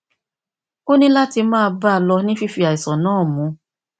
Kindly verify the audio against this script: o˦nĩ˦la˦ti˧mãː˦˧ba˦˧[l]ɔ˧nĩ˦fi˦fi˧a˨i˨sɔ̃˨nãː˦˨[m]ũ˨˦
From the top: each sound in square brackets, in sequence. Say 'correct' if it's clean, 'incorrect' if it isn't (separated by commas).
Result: correct, correct